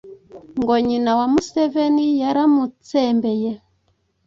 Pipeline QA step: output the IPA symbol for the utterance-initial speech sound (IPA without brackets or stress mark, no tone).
ŋ